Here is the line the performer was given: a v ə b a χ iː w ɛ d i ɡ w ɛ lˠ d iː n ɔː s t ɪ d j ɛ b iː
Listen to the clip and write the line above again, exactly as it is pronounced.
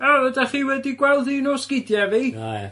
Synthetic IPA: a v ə d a χ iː w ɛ d i ɡ w ɛ lˠ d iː n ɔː s k ɪ d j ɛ v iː